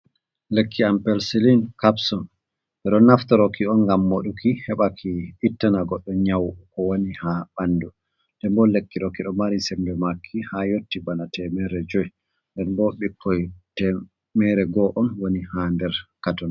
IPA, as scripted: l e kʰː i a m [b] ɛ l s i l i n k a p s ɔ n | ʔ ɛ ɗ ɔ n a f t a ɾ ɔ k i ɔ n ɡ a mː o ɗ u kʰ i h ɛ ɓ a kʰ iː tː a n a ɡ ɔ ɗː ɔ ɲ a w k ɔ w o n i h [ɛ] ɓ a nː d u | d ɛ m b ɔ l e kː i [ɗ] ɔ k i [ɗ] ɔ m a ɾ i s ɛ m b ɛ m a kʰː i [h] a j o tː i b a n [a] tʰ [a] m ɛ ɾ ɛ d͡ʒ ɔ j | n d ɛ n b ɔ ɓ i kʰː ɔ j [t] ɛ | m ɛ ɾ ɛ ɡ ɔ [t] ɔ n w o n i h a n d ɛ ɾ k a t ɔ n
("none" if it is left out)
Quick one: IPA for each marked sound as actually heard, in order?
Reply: p, a, ɗ, ɗ, h, a, ɛ, t, ʔ

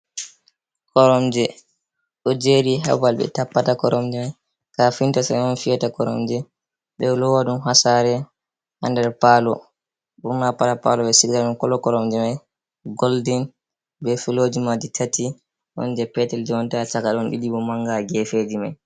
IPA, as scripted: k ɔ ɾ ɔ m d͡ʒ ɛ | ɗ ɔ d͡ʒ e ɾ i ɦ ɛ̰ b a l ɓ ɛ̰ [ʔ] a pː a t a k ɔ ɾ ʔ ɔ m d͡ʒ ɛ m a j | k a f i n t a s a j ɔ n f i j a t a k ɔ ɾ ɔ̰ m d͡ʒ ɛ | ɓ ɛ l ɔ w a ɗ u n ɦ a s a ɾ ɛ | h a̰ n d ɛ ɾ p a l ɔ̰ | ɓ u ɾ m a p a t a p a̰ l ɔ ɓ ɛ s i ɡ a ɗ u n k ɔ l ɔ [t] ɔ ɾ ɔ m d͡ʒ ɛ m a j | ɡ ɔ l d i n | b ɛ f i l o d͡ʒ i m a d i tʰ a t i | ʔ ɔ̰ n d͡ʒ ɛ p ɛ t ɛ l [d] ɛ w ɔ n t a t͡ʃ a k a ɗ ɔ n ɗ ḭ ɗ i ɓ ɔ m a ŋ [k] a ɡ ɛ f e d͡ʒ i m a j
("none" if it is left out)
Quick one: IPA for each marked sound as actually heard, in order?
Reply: t, k, d͡ʒ, ɡ

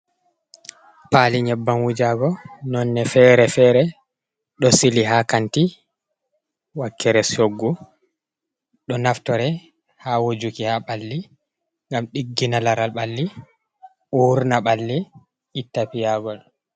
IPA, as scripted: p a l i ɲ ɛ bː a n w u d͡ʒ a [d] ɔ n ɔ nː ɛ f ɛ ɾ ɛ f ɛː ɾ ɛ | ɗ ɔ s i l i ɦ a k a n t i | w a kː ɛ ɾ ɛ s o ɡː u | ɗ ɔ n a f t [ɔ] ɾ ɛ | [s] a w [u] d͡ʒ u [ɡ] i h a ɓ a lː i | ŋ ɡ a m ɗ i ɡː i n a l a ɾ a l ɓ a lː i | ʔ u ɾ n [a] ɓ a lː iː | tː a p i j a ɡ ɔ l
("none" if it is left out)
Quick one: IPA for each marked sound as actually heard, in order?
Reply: ɡ, ɔ, h, o, k, a

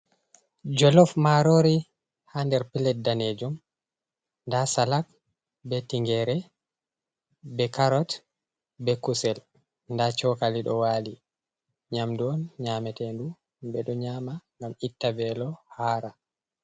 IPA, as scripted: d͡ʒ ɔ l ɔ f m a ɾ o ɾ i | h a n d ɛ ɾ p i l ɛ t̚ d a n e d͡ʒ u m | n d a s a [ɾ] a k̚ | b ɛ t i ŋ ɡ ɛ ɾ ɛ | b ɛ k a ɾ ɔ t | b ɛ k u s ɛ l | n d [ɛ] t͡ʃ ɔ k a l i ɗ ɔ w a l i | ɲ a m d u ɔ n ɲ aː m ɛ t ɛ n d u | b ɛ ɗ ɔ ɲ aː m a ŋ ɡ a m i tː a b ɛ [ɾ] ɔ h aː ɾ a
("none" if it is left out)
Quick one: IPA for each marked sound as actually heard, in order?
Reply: l, a, l

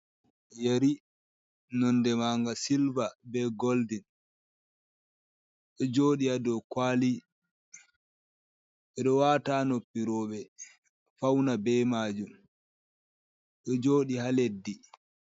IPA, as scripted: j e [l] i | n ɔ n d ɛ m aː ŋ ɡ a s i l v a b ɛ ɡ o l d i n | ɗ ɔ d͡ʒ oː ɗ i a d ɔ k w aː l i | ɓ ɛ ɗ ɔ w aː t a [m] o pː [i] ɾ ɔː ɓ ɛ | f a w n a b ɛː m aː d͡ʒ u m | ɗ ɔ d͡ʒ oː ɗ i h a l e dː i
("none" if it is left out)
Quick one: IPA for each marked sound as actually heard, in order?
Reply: ɾ, n, i

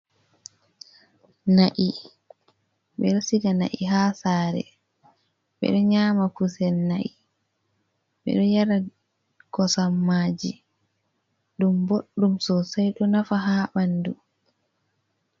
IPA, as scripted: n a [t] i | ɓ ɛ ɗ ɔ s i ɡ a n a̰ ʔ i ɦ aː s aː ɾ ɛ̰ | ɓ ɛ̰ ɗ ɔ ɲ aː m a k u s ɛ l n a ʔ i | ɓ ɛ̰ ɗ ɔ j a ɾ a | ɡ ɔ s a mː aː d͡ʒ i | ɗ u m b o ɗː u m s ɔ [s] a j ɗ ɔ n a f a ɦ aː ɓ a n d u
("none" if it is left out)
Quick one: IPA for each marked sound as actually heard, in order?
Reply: ʔ, s

